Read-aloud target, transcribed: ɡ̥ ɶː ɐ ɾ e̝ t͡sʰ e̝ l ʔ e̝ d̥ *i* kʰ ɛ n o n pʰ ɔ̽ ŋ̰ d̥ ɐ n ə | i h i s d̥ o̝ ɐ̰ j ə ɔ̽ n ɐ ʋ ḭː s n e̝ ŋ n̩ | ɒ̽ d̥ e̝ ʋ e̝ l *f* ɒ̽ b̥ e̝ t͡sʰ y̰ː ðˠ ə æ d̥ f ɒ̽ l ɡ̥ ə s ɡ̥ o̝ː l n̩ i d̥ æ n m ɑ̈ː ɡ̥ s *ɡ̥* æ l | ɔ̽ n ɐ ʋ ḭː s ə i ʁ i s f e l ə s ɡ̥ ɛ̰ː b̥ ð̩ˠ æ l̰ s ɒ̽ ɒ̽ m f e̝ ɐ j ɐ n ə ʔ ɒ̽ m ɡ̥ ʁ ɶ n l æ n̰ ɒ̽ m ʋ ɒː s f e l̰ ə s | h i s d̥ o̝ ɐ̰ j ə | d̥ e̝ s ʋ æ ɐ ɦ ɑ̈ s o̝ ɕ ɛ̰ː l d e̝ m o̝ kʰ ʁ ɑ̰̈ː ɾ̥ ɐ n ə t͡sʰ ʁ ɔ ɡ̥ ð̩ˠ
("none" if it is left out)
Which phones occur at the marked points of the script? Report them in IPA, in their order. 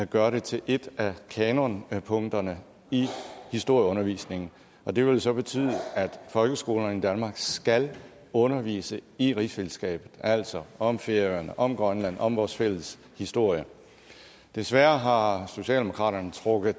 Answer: æ, s, ɡ̥

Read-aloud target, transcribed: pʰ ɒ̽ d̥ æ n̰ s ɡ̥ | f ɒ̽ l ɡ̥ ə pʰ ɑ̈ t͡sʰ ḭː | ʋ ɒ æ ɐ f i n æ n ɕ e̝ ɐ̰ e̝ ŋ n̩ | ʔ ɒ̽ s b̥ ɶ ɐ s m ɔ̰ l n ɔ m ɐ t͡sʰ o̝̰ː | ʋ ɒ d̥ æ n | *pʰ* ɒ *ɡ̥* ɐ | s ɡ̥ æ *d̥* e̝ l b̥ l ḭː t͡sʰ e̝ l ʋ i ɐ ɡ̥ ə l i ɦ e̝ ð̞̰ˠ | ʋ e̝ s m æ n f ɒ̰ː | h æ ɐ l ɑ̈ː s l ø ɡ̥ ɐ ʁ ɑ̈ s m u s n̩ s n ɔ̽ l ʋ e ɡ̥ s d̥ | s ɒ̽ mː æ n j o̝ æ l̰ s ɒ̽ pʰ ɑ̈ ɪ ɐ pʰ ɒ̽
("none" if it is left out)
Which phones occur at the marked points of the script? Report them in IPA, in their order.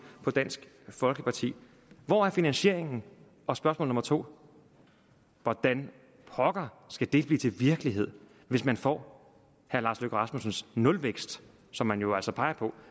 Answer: pʰ, ɡ̥, d̥

